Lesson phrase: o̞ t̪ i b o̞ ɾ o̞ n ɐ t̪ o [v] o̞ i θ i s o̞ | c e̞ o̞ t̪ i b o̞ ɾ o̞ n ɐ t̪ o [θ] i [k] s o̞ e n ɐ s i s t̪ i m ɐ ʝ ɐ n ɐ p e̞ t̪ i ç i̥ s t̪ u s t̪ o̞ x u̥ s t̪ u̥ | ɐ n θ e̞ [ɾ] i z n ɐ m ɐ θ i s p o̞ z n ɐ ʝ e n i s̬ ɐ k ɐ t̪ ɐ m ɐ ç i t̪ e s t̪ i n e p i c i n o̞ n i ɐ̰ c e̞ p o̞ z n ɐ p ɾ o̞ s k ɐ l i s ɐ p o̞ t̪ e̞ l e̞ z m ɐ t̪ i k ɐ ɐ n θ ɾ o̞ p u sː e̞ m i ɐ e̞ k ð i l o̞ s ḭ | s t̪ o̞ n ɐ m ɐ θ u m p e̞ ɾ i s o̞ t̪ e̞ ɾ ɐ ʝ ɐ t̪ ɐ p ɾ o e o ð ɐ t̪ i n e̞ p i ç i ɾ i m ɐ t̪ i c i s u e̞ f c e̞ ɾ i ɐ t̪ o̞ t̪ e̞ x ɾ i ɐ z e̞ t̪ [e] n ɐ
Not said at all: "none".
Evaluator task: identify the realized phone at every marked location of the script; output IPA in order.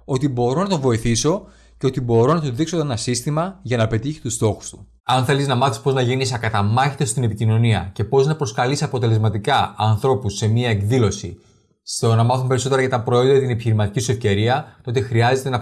v, ð, k, l, e

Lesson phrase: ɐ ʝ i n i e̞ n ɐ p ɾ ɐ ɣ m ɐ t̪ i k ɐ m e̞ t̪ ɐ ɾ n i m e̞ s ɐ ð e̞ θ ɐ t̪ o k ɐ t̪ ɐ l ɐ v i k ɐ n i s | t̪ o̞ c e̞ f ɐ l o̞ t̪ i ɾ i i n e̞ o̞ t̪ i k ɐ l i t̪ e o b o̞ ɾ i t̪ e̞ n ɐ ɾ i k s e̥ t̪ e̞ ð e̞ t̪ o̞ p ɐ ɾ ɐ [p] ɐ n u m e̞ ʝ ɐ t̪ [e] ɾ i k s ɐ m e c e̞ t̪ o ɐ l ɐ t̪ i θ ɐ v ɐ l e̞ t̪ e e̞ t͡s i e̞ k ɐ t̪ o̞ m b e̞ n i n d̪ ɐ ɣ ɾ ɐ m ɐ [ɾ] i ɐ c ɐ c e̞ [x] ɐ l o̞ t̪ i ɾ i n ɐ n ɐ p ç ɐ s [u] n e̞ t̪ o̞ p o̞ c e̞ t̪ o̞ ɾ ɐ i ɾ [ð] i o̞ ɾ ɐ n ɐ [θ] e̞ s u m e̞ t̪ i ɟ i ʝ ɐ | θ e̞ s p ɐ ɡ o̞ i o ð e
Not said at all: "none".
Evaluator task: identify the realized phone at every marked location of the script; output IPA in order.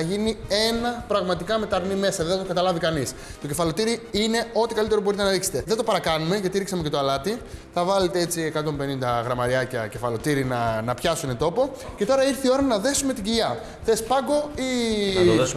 k, i, ɾ, f, u, θ, ð

